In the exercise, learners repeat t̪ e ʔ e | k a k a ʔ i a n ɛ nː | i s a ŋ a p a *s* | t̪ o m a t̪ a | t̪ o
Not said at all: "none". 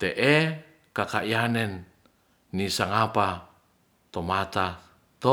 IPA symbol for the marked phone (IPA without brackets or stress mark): none